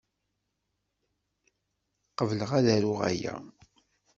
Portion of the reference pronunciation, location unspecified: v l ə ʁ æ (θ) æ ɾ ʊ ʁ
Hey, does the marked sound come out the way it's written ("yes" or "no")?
no